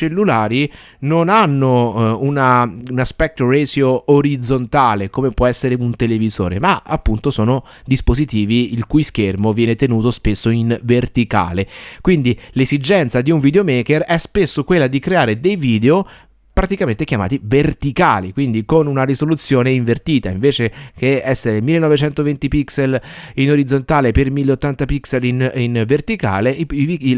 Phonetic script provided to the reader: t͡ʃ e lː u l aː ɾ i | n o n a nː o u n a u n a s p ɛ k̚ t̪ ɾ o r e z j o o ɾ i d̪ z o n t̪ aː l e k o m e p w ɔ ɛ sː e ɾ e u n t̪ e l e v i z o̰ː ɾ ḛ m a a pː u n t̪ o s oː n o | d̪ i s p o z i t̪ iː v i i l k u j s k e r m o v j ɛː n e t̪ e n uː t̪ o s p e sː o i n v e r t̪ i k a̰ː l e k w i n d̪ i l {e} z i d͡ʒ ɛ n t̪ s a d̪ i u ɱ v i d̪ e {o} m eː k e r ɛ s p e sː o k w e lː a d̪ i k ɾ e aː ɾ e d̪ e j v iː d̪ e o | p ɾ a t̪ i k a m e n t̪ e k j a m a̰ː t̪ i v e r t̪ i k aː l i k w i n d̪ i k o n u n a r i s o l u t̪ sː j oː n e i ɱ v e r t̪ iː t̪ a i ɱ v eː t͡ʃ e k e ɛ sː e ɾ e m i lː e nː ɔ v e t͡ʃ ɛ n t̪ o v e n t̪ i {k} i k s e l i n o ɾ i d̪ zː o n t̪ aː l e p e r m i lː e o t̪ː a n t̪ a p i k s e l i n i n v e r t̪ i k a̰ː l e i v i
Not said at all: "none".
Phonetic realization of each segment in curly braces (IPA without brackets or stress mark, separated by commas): e, o, p